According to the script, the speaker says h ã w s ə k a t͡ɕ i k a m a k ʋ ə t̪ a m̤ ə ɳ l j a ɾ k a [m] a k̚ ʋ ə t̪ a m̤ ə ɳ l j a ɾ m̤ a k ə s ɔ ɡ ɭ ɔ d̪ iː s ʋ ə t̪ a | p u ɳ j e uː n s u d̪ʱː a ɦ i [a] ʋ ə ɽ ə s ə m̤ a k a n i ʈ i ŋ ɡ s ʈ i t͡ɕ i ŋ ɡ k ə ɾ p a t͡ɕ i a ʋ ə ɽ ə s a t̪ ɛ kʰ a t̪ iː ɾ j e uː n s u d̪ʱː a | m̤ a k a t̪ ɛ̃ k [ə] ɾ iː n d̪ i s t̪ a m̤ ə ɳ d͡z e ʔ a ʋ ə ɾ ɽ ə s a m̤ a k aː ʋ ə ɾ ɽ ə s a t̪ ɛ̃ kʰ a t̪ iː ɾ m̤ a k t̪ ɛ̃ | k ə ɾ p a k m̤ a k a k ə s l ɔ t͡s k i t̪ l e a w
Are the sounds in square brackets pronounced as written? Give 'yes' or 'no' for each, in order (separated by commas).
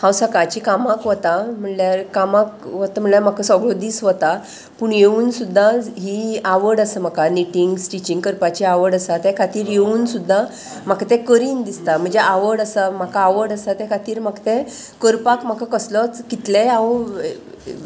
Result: yes, yes, yes